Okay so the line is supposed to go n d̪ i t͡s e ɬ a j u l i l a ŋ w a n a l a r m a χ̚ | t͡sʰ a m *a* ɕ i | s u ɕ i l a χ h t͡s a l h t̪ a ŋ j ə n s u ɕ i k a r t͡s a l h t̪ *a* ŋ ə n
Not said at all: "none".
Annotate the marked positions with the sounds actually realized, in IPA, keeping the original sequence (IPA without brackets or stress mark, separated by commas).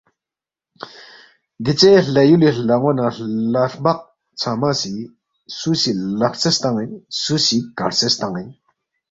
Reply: a, a